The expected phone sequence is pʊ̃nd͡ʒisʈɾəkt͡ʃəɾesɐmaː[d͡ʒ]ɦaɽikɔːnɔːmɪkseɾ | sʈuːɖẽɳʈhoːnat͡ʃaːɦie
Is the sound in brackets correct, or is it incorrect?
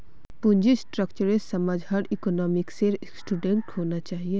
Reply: correct